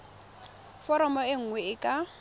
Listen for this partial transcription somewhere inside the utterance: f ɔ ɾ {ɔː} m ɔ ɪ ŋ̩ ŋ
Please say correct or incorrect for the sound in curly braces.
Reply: incorrect